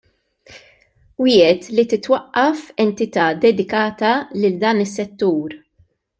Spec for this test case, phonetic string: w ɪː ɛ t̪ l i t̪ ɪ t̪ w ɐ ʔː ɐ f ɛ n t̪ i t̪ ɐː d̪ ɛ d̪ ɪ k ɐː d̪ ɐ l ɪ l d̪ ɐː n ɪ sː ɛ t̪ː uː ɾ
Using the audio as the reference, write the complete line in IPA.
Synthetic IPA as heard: w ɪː ɛ t̪ l i t̪ ɪ t̪ w ɐ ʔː ɐ f ɛ n t̪ ɪ t̪ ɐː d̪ ɛ d̪ ɪ k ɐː t̪ ɐ l ɪ l d̪ ɐː n ɪ sː ɛ t̪ː uː ɾ